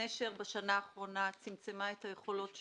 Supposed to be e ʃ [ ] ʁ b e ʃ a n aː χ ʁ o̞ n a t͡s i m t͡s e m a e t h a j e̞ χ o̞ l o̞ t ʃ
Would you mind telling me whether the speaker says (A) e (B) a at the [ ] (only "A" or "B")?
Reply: A